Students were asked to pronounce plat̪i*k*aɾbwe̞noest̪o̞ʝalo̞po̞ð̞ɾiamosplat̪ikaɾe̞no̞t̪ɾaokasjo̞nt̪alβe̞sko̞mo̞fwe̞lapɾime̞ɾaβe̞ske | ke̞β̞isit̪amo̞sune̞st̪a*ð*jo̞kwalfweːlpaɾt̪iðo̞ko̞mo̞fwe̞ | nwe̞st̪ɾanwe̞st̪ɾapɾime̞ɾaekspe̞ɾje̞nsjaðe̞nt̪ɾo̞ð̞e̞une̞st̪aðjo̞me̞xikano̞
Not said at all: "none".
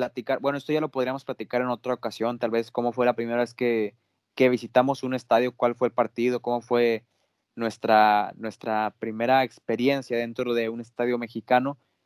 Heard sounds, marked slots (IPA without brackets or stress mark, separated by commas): k, ð